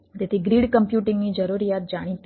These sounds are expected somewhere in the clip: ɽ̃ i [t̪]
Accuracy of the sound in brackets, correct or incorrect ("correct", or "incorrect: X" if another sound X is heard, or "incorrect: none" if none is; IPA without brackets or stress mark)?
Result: correct